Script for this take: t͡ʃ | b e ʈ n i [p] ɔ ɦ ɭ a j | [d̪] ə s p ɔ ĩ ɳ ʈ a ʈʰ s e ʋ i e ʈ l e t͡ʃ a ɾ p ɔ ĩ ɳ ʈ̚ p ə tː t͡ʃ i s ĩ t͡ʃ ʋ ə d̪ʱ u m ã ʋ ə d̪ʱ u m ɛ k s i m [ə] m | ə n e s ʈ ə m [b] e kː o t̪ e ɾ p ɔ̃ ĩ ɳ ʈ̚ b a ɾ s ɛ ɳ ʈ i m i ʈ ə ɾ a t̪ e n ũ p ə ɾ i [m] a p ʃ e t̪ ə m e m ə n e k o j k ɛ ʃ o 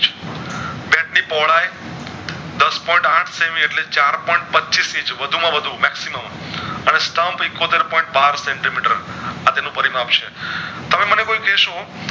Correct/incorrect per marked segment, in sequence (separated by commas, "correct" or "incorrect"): correct, correct, correct, incorrect, correct